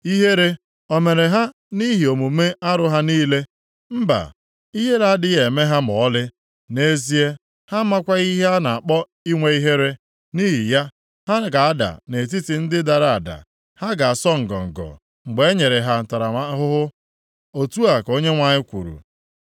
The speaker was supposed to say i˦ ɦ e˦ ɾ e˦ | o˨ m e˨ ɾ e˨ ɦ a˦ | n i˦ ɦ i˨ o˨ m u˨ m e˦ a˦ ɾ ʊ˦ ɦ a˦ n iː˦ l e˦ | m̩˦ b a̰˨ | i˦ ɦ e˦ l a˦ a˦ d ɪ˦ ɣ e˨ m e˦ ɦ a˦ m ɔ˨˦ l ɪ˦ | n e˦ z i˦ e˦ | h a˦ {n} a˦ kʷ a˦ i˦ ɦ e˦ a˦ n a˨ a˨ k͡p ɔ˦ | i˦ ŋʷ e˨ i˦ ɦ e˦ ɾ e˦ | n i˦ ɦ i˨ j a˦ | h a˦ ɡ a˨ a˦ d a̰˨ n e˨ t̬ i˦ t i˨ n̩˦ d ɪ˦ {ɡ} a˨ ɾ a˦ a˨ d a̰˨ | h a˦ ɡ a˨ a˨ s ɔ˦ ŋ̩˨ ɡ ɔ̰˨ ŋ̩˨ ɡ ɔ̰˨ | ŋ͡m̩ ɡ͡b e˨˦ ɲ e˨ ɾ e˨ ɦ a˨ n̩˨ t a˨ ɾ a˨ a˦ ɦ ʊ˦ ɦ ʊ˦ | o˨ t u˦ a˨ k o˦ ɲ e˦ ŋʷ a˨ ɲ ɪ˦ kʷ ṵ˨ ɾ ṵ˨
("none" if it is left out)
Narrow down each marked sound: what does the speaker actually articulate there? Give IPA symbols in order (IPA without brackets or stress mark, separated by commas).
m, d